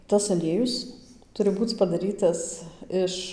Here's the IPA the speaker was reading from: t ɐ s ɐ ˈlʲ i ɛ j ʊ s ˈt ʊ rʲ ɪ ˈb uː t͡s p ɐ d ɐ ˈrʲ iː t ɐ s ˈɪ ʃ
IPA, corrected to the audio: t ɐ s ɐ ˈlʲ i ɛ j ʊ s ˈt ʊ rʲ ɪ ˈb uː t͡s p ɐ d ɐ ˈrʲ iː t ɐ s ˈɪ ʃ